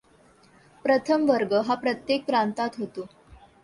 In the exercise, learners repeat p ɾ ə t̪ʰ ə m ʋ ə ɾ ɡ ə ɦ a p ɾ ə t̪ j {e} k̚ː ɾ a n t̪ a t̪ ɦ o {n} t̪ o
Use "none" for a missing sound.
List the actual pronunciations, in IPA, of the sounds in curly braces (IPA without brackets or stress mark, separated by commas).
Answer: e, none